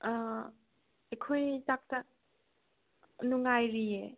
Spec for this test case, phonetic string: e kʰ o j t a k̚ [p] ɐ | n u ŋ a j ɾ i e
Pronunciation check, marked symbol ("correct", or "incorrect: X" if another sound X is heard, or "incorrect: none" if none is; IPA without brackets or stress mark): incorrect: t